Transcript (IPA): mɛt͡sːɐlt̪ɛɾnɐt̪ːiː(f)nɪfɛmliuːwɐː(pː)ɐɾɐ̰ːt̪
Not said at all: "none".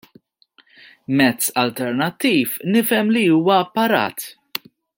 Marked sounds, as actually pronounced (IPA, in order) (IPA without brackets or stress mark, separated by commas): f, pː